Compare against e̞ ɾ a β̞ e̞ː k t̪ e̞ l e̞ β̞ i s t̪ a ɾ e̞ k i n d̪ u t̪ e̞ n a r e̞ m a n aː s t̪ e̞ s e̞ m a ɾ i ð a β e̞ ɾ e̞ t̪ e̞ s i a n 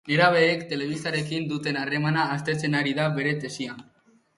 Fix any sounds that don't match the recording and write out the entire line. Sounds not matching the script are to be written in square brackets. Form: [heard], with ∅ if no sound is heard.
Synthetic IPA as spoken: e̞ ɾ a β̞ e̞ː k t̪ e̞ l e̞ β̞ i s t̪ a ɾ e̞ k i n d̪ u t̪ e̞ n a r e̞ m a n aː s t̪ e̞ [t͡s] e̞ [n] a ɾ i ð a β e̞ ɾ e̞ t̪ e̞ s i a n

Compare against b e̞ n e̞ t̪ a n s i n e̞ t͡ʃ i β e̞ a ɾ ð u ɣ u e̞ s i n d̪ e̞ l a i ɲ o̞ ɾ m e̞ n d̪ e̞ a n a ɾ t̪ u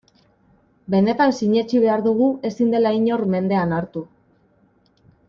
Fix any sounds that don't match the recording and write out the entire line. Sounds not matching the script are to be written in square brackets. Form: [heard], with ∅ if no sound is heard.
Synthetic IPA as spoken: b e̞ n e̞ t̪ a n s i [ɲ] e̞ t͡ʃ i β e̞ a ɾ ð u ɣ u e̞ s i n d̪ e̞ l a i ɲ o̞ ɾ m e̞ n d̪ e̞ a n a ɾ t̪ u

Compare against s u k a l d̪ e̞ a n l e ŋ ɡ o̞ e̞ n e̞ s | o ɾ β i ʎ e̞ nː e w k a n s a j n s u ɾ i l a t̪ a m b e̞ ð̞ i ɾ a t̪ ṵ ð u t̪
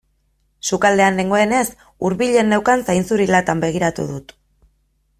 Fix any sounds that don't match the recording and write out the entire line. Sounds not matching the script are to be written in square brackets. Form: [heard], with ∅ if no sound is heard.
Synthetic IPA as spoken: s u k a l d̪ e̞ a n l e ŋ ɡ o̞ e̞ n e̞ s | [u] ɾ β i ʎ e̞ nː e w k a n s a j n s u ɾ i l a t̪ a m b e̞ [ɣ̞] i ɾ a t̪ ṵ ð u t̪

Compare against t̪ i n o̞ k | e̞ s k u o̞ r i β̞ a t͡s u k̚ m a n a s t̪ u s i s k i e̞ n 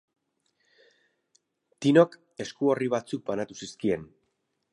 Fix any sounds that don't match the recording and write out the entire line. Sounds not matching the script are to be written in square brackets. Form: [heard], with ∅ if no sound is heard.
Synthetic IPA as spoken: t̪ i n o̞ k | e̞ s k u o̞ r i β̞ a t͡s u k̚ [b] a n a [∅] t̪ u s i s k i e̞ n

